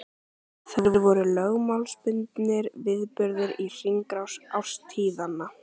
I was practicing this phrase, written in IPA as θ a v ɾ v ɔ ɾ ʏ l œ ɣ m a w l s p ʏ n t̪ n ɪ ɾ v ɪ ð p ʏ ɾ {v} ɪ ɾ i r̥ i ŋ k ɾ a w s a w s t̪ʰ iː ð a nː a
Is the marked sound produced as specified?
no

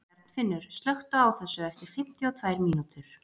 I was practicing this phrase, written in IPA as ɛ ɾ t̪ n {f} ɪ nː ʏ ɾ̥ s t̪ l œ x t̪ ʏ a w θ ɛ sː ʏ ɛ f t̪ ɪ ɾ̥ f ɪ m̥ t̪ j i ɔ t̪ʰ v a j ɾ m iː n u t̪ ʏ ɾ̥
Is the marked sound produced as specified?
yes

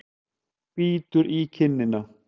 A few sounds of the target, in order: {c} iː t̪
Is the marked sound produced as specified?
no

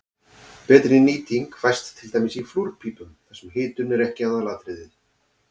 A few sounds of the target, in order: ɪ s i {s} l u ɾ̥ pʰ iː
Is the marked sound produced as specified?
no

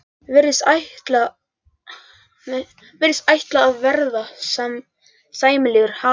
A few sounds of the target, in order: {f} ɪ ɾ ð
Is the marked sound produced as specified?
no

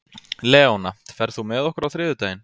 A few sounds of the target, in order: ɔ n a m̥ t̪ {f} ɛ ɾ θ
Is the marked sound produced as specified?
yes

